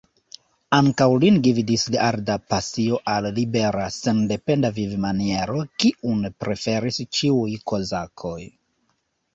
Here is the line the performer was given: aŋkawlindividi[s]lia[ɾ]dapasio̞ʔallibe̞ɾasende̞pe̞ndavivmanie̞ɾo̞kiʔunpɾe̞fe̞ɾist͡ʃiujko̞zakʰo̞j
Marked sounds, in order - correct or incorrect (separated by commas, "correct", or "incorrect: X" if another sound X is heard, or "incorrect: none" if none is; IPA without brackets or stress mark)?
correct, correct